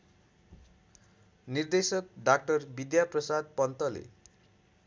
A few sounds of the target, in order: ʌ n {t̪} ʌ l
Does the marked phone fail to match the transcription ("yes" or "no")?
no